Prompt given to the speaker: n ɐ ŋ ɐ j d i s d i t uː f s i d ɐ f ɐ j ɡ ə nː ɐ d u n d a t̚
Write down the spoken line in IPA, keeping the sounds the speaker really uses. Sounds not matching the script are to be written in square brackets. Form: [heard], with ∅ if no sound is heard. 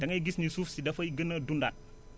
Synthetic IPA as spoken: [d] ɐ ŋ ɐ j [ɡ] i s [n] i [s] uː f s i d ɐ f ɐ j ɡ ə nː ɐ d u n d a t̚